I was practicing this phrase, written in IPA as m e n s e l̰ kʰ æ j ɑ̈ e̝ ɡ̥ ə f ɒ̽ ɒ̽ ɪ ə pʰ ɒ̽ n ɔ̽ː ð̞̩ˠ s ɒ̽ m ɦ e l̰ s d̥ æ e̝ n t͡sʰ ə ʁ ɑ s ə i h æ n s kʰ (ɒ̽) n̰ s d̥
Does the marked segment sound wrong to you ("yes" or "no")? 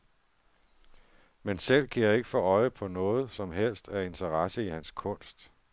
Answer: yes